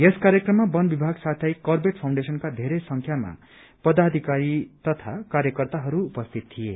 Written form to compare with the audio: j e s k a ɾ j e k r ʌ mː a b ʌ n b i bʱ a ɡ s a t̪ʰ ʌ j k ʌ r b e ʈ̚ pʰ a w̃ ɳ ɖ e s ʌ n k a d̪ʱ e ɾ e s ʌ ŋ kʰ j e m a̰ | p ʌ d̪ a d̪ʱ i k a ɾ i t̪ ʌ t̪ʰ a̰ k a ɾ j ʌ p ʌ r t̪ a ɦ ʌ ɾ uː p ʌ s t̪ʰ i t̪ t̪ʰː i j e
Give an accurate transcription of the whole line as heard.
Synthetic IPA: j e s k a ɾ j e k r ʌ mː a b ʌ n b i bʱ a ɡ s a t̪ʰ ʌ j k ʌ r b e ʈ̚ pʰ a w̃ ɳ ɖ e s ʌ n k a d̪ʱ e ɾ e s ʌ ŋ kʰ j a m a̰ | p ʌ d̪ a d̪ʱ i k a ɾ i t̪ ʌ t̪ʰ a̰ k a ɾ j ʌ k ʌ r t̪ a ɦ ʌ ɾ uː p ʌ s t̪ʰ i t̪ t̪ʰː i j e

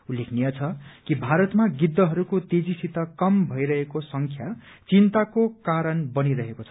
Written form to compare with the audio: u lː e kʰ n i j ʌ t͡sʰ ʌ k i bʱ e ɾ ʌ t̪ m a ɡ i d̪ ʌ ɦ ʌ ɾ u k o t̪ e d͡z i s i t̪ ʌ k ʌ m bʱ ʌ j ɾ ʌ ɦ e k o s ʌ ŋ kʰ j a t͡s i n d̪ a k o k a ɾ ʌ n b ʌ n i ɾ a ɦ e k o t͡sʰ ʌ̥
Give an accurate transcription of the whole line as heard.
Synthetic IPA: u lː e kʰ n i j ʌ t͡sʰ ʌ k i bʱ a ɾ ʌ t̪ m a ɡ i d̪ː ʌ ɦ ʌ ɾ u k o t̪ e d͡z i s i t̪ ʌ k ʌ m bʱ ʌ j ɾ ʌ ɦ e k o s ʌ ŋ kʰ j a t͡s i n t̪ a k o k a ɾ ʌ n b ʌ n i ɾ ʌ ɦ e k o t͡sʰ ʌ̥

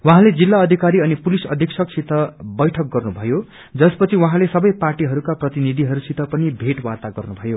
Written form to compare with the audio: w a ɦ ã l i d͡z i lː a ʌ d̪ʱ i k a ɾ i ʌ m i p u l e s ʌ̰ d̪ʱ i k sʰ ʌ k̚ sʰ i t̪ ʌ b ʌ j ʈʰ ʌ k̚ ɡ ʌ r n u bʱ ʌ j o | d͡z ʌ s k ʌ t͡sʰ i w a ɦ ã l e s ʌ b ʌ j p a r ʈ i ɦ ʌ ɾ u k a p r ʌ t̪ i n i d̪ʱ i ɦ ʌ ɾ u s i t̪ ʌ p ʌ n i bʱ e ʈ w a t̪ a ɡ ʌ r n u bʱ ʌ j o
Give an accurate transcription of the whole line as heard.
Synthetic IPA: w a ɦ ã l e d͡z i lː a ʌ d̪ʱ i k a ɾ i ʌ n i p u l i s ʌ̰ d̪ʱ i k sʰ ʌ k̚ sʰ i t̪ ʌ b ʌ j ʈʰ ʌ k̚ ɡ ʌ r n u bʱ ʌ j o | d͡z ʌ s p ʌ t͡sʰ i w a ɦ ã l e s ʌ b ʌ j p a r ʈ i ɦ ʌ ɾ u k a p r ʌ t̪ i n i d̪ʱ i ɦ ʌ ɾ u s i t̪ ʌ p ʌ n i bʱ e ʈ w a t̪ a ɡ ʌ r n u bʱ ʌ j o

